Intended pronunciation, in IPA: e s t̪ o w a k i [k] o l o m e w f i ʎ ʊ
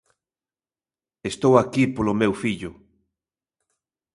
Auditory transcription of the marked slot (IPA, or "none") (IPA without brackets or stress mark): p